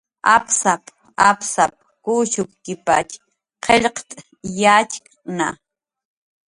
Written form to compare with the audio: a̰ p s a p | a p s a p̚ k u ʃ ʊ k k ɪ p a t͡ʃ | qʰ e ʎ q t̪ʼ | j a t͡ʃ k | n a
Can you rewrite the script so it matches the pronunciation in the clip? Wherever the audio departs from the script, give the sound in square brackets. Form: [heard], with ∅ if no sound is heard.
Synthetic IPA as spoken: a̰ p s a p | a p s a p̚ k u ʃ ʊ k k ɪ p a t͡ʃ | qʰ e ʎ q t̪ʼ | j a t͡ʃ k | n a